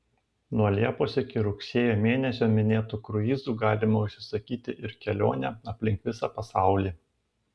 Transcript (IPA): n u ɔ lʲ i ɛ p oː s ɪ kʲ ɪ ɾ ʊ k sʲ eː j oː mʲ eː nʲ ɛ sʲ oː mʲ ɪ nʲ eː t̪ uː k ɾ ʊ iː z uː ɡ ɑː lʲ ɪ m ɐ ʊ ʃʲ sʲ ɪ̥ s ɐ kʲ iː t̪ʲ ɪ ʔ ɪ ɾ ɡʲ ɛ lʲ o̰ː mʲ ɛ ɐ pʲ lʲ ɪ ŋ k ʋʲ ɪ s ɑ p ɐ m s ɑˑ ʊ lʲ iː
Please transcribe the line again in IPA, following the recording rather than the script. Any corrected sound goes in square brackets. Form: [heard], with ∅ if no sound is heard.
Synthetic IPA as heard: n u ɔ lʲ i ɛ p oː s ɪ kʲ ɪ ɾ ʊ k sʲ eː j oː mʲ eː nʲ ɛ sʲ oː mʲ ɪ nʲ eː t̪ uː k ɾ ʊ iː z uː ɡ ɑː lʲ ɪ m ɐ ʊ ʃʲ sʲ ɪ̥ s ɐ kʲ iː t̪ʲ ɪ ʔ ɪ ɾ [kʲ] ɛ lʲ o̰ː [nʲ] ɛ ɐ pʲ lʲ ɪ ŋ k ʋʲ ɪ s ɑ p ɐ [∅] s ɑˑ ʊ lʲ iː